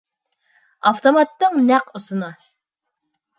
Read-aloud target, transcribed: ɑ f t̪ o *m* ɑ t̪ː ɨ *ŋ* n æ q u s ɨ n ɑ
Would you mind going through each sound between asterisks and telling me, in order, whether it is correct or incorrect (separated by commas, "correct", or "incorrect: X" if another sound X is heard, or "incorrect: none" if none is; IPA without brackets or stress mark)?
correct, correct